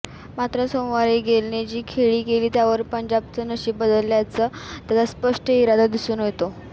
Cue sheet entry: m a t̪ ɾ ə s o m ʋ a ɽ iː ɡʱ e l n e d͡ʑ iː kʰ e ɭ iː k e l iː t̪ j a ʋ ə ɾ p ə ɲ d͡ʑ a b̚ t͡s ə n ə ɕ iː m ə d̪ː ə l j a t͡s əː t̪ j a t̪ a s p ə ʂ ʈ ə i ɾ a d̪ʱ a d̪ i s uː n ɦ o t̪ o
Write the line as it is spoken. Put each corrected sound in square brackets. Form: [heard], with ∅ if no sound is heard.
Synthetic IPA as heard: m a t̪ ɾ ə s o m ʋ a [ɾ] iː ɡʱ e l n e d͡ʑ iː kʰ e ɭ iː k e l iː t̪ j a ʋ ə ɾ p ə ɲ d͡ʑ a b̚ t͡s ə n ə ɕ iː [b] ə [d̪] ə l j a t͡s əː t̪ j a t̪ a s p ə ʂ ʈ ə i ɾ a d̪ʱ a d̪ i s uː n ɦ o t̪ o